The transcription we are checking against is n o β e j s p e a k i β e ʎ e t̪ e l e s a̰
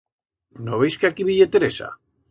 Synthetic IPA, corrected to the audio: n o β e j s k e a k i β i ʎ e t̪ e ɾ e s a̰